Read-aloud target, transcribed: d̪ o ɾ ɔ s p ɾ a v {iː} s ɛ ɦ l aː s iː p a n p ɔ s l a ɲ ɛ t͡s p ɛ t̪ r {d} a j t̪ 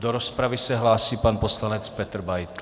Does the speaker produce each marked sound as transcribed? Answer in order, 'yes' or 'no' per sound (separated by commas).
no, no